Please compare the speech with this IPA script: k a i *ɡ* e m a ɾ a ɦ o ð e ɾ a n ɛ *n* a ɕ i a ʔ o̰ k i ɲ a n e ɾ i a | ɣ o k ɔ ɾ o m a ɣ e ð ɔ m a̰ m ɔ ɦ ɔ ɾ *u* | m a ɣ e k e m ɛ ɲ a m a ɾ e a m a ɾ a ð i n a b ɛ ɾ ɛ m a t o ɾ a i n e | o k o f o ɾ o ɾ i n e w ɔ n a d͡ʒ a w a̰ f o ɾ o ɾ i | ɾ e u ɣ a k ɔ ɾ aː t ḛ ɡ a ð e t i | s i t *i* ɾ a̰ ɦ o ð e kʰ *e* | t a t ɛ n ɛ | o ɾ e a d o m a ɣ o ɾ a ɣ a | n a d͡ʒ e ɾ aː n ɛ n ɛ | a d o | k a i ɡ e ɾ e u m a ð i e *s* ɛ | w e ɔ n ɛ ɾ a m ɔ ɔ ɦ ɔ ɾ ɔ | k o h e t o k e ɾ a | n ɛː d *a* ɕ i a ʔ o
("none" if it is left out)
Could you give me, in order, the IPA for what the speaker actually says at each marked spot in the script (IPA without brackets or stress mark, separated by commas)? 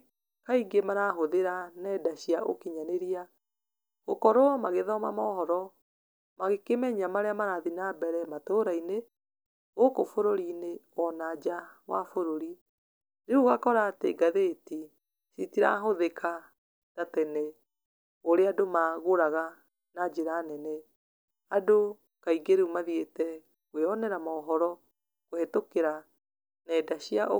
ɡ, d, ɔ, i, a, t, a